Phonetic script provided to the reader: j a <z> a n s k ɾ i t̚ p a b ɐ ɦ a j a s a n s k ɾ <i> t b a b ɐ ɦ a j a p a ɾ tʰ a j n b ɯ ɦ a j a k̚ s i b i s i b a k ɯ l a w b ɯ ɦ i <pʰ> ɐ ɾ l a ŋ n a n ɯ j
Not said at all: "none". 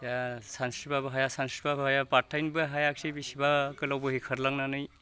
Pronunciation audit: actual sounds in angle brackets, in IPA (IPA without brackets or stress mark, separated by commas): s, i, kʰ